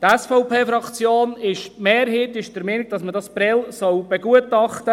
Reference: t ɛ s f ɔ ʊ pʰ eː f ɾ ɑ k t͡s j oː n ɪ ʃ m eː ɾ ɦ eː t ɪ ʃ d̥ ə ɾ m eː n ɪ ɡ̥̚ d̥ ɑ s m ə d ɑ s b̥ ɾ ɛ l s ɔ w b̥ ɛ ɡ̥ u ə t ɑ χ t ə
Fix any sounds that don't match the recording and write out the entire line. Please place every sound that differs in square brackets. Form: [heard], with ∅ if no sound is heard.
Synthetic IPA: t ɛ s f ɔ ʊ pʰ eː f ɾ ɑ k t͡s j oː n ɪ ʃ m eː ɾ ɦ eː t ɪ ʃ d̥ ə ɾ m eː n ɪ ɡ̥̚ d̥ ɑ s m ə d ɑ s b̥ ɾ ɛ l s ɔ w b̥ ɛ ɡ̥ u ə t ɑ χ t ə